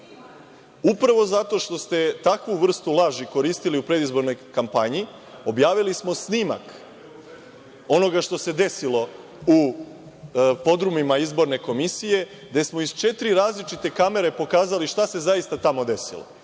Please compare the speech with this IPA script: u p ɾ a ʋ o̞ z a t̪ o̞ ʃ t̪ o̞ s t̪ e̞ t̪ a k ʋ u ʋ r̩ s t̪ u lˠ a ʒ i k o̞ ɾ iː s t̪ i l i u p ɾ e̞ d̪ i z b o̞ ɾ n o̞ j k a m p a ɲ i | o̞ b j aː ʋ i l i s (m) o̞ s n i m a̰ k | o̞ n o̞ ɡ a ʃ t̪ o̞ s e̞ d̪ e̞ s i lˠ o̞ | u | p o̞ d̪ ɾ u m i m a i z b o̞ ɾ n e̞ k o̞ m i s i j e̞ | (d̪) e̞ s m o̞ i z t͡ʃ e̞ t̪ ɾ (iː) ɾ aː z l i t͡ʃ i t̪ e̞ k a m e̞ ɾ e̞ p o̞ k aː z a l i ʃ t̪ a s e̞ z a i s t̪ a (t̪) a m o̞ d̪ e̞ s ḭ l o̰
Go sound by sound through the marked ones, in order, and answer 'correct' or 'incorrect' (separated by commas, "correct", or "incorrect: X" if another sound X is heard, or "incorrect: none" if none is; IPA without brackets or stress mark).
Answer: correct, correct, incorrect: i, correct